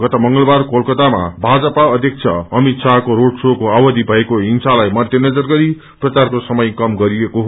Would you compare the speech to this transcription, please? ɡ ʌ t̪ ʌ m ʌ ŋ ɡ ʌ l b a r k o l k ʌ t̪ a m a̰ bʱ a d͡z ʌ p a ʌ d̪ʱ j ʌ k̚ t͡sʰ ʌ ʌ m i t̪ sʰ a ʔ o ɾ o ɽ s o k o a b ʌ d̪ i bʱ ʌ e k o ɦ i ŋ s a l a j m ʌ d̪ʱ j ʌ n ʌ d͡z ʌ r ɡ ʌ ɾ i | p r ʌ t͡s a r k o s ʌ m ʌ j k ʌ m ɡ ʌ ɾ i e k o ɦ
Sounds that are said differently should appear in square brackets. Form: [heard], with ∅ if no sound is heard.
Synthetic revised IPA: ɡ ʌ t̪ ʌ m ʌ ŋ ɡ ʌ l b a r k o l k ʌ t̪ a m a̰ bʱ a d͡z ʌ p a ʌ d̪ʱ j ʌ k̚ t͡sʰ ʌ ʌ m i t̪ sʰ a [k] o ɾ o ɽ s o k o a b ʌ d̪ i bʱ ʌ e k o ɦ i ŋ s a l a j m ʌ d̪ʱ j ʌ n ʌ d͡z ʌ r ɡ ʌ ɾ i | p r ʌ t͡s a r k o s ʌ m ʌ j k ʌ m ɡ ʌ ɾ i e k o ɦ

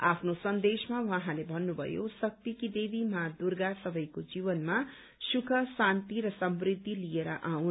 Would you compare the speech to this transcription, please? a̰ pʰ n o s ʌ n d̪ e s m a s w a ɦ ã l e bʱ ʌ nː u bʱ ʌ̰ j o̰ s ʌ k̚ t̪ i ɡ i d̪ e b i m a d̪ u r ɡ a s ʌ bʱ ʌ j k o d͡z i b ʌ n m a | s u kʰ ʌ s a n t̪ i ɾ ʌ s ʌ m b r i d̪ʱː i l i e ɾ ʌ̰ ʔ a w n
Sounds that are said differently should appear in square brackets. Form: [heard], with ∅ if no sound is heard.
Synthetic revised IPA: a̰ pʰ n o s ʌ n d̪ e s m a [∅] w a ɦ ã l e bʱ ʌ nː u bʱ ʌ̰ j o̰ s ʌ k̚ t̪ i [k] i d̪ e b i m a d̪ u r ɡ a s ʌ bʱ ʌ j k o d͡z i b ʌ n m a | s u kʰ ʌ s a n t̪ i ɾ ʌ s ʌ m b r i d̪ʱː i l i e ɾ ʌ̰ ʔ a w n

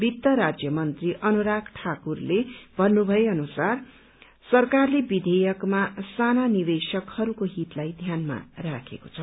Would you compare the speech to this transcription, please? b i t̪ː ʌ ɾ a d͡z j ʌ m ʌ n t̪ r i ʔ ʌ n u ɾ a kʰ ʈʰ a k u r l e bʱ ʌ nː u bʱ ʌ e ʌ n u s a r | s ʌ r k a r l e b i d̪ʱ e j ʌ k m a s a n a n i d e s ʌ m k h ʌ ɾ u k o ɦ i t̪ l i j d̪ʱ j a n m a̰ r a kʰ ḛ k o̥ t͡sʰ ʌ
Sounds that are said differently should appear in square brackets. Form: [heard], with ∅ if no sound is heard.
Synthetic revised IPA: b i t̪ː ʌ ɾ a d͡z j ʌ m ʌ n t̪ r i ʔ ʌ n u ɾ a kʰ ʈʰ a k u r l e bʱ ʌ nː u bʱ ʌ e ʌ n u s a r | s ʌ r k a r l e b i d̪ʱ e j ʌ k m a s a n a n i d e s ʌ [∅] k h ʌ ɾ u k o ɦ i t̪ l [a] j d̪ʱ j a n m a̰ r a kʰ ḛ k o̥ t͡sʰ ʌ

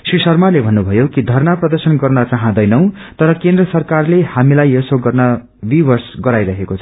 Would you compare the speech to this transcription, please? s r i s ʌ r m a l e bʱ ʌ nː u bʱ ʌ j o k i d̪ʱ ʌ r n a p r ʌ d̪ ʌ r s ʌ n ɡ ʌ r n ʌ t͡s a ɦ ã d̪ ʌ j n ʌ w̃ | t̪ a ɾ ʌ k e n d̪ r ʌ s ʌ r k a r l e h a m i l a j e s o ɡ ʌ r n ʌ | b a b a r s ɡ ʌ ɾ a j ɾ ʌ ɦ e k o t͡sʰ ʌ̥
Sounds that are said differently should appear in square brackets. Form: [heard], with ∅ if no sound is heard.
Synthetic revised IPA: s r i s ʌ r m a l e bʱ ʌ nː u bʱ ʌ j o k i d̪ʱ ʌ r n a p r ʌ d̪ ʌ r s ʌ n ɡ ʌ r n ʌ t͡s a ɦ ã d̪ ʌ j n ʌ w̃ | t̪ [ʌ] ɾ ʌ k e n d̪ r ʌ s ʌ r k a r l e h a m i l a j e s o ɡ ʌ r n ʌ | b [i] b [ʌ] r s ɡ ʌ ɾ a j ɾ ʌ ɦ e k o t͡sʰ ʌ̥

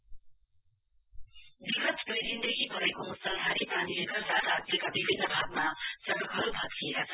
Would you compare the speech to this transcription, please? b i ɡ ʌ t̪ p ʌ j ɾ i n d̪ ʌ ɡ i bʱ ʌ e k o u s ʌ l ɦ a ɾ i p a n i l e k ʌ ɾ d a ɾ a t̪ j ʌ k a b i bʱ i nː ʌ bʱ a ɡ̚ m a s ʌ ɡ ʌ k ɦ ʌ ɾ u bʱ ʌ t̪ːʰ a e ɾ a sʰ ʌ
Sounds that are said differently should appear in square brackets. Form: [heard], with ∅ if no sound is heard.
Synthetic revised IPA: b i ɡ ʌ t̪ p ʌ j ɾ i n d̪ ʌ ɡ i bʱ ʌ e k o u s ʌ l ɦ a ɾ i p a n i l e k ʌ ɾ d a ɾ a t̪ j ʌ k a b i bʱ i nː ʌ bʱ a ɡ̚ m a s ʌ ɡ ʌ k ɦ ʌ ɾ u bʱ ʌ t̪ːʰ [i] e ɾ a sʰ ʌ

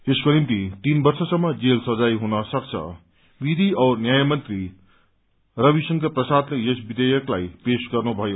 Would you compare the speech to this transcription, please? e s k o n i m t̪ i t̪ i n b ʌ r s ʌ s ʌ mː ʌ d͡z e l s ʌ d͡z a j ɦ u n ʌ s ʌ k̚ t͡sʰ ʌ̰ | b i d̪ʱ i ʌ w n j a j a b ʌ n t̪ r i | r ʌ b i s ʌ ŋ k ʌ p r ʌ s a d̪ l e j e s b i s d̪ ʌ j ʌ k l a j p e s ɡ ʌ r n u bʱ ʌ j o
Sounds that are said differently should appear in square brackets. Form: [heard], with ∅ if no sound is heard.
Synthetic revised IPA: e s k o n i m t̪ i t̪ i n b ʌ r s ʌ s ʌ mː ʌ d͡z e l s ʌ d͡z a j ɦ u n ʌ s ʌ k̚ t͡sʰ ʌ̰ | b i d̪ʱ i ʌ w n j a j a [m] ʌ n t̪ r i | r ʌ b i s ʌ ŋ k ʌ p r ʌ s a d̪ l e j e s b i [∅] d̪ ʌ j ʌ k l a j p e s ɡ ʌ r n u bʱ ʌ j o

